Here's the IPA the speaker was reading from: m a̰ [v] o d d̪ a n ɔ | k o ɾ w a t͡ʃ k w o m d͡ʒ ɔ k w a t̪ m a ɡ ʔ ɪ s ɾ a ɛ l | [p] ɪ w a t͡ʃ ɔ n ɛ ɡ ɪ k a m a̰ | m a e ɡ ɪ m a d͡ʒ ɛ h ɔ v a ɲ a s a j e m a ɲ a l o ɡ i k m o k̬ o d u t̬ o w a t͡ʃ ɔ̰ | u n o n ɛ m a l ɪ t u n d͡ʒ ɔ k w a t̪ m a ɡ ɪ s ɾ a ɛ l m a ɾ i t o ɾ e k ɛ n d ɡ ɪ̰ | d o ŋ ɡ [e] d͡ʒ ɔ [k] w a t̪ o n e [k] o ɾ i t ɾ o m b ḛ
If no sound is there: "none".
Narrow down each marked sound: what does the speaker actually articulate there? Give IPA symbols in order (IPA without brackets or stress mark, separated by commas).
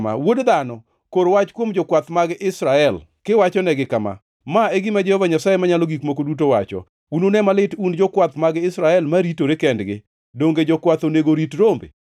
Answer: w, k, e, k, ɡ